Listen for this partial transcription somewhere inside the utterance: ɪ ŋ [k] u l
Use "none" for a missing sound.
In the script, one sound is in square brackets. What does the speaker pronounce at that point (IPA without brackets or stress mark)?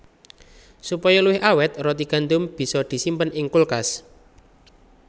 k